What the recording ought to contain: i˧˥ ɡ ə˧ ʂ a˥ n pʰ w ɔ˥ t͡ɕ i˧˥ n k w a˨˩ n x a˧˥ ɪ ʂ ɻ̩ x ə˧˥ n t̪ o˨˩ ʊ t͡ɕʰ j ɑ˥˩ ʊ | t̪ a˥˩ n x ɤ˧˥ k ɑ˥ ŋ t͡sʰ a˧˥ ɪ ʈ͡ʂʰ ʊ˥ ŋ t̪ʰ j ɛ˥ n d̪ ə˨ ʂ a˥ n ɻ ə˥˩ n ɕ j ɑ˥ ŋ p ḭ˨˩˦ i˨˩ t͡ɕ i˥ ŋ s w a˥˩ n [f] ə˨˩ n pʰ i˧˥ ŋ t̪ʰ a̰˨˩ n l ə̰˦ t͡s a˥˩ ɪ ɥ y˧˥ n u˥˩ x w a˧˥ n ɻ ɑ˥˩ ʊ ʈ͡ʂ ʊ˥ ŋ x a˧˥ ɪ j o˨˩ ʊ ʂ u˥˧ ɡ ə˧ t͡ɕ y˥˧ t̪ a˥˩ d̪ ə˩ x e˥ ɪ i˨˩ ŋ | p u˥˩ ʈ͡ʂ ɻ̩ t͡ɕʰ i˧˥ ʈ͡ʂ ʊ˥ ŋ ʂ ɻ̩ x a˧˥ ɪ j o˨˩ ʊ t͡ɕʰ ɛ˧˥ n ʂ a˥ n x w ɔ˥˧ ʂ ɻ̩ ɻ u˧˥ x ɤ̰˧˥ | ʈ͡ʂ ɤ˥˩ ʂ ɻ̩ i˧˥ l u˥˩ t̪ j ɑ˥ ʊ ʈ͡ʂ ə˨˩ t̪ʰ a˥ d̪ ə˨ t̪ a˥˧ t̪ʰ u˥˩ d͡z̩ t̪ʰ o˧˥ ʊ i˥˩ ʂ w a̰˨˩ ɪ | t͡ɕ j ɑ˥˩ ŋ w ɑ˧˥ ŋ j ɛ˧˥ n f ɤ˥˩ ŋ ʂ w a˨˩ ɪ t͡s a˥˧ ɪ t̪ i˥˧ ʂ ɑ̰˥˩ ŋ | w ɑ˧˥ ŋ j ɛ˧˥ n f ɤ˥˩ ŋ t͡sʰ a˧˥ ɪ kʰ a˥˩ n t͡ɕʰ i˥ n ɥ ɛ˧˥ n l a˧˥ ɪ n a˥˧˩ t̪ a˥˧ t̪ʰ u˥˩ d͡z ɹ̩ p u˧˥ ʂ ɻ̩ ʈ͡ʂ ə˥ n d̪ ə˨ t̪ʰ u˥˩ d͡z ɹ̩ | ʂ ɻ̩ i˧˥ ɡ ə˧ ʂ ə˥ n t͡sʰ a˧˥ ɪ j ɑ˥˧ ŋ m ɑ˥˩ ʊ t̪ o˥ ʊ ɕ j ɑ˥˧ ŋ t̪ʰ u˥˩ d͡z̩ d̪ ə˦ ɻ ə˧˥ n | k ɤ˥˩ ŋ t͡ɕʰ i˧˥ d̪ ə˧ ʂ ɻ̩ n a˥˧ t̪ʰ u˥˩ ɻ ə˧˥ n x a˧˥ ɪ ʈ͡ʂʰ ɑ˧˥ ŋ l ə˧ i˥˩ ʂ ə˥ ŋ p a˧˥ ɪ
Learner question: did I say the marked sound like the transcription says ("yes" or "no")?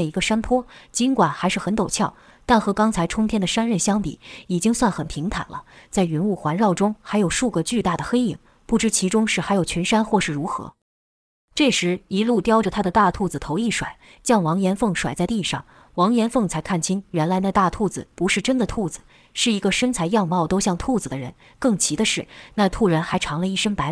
no